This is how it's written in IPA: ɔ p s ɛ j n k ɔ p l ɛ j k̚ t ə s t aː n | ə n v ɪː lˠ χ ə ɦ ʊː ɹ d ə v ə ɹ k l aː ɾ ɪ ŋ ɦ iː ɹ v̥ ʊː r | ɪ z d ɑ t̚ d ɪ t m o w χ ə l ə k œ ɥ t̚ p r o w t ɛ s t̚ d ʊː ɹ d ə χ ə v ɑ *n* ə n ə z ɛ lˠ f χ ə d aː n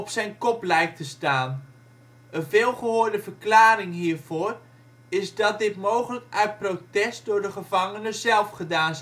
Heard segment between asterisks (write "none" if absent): ŋ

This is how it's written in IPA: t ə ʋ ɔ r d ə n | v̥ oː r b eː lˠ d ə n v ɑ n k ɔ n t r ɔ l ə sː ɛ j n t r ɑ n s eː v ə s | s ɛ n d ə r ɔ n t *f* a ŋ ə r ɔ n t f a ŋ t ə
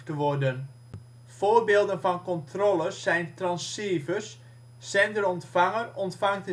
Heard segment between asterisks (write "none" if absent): f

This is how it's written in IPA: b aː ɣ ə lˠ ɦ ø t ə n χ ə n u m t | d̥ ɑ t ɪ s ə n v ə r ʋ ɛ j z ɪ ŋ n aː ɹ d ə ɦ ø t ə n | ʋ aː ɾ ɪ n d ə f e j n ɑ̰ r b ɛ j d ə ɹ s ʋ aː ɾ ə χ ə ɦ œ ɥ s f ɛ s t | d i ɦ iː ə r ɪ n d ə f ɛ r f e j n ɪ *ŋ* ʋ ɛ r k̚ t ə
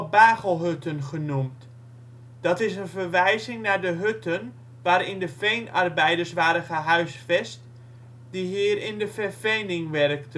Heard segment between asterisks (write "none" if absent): ŋ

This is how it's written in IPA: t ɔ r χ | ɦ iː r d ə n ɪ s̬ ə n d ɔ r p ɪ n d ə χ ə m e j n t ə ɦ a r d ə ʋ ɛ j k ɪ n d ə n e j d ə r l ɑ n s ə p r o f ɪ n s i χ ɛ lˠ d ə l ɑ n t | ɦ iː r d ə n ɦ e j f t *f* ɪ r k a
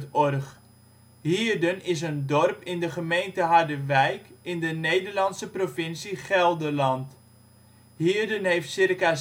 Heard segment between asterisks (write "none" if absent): s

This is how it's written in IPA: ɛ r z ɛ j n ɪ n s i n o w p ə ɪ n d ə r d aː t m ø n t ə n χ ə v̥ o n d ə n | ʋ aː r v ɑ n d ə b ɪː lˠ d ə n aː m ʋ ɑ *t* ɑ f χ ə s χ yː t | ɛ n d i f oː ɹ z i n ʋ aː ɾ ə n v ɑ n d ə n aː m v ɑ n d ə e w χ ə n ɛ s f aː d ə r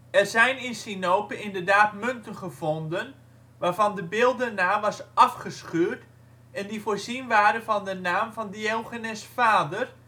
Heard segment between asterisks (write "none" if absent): s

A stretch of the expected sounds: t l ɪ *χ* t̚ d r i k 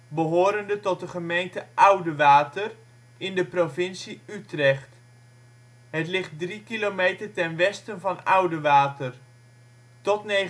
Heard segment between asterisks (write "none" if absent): χ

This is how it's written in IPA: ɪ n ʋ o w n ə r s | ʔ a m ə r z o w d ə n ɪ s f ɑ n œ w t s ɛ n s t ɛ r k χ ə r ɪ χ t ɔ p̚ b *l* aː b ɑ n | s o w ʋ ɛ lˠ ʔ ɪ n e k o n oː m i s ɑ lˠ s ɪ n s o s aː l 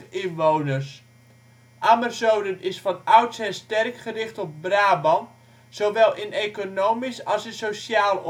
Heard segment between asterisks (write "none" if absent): r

